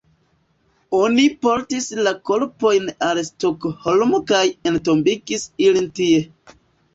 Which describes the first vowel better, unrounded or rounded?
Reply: rounded